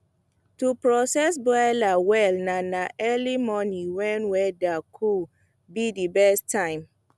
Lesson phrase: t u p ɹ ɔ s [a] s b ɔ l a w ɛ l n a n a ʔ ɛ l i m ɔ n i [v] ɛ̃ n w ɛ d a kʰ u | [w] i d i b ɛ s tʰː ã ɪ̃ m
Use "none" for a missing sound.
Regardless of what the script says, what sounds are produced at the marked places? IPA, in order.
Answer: ɛ, w, b

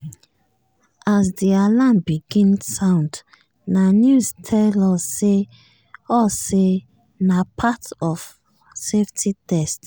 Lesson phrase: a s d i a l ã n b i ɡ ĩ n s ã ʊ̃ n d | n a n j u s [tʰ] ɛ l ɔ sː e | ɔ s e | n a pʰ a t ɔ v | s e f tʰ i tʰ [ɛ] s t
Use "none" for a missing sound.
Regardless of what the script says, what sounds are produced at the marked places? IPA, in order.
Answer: tʰ, ɛ

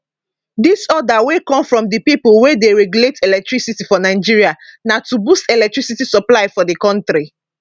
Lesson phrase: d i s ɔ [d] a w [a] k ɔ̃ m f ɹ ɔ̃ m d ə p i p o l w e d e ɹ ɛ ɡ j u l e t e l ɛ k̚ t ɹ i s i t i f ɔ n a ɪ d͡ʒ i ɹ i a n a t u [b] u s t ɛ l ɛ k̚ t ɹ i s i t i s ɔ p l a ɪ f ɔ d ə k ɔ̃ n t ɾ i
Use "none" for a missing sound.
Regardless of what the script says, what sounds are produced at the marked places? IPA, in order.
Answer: d, e, b

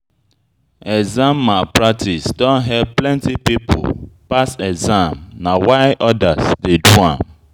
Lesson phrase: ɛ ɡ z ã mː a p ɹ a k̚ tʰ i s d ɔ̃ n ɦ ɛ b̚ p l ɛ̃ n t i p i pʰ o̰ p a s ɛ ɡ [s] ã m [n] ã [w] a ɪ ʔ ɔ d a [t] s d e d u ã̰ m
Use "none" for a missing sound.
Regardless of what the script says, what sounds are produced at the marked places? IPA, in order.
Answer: z, n, w, none

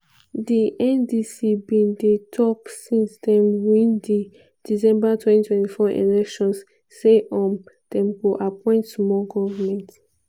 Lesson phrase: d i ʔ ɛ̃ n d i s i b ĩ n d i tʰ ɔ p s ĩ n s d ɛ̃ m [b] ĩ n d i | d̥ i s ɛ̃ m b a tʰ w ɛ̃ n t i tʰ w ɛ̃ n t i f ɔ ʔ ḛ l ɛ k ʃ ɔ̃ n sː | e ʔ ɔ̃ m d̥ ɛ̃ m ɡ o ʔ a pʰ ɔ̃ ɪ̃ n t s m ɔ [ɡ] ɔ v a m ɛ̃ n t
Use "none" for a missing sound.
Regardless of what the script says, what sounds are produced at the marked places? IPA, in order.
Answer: w, ɡ

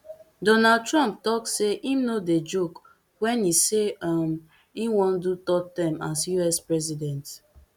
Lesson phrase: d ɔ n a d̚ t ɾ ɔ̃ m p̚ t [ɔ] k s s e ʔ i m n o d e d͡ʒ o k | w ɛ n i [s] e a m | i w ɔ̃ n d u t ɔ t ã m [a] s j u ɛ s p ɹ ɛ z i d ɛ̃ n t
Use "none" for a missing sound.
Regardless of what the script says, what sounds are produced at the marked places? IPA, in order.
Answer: ɔ, s, a

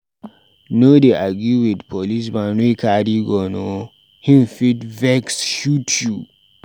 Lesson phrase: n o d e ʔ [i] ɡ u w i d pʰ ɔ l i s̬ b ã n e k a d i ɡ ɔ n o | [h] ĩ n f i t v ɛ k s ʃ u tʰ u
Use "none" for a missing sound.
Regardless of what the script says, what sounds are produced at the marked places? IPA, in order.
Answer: a, h

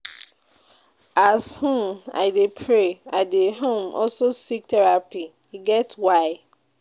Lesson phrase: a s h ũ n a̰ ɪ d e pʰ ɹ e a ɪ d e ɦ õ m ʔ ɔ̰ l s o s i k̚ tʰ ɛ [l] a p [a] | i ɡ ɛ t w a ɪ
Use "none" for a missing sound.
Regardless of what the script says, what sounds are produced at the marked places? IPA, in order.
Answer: ɹ, i

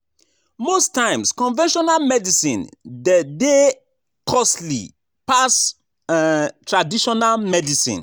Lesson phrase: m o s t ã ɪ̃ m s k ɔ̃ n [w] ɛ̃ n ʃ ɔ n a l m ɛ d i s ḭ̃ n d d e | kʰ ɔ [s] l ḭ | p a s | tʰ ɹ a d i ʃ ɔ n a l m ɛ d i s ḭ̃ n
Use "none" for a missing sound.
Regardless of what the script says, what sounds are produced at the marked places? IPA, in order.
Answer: v, s

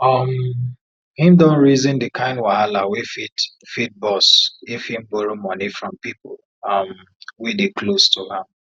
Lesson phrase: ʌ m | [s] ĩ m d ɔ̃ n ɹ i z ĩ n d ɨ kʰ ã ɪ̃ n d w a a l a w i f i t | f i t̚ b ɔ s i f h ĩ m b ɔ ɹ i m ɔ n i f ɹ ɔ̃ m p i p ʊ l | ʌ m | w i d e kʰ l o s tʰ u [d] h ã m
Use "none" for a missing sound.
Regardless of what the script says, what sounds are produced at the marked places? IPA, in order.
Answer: h, none

